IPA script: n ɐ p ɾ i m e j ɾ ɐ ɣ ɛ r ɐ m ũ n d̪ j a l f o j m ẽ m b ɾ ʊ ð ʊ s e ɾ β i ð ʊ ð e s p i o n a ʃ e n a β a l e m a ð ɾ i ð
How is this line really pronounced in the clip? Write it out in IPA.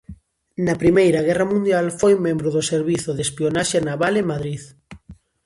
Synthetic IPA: n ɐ p ɾ i m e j ɾ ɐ ɣ ɛ r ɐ m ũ n d̪ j a l f o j m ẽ m b ɾ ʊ ð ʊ s e ɾ β i θ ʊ ð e s p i o n a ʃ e n a β a l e m a ð ɾ i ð